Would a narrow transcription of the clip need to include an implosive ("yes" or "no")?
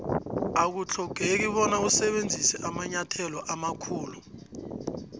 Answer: yes